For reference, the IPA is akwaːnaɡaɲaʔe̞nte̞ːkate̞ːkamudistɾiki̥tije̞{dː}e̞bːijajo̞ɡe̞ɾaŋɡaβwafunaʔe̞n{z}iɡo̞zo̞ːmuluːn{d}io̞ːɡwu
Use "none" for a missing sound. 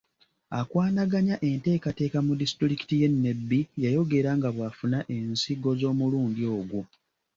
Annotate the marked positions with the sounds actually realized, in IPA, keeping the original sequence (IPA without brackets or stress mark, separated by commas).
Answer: nː, s, d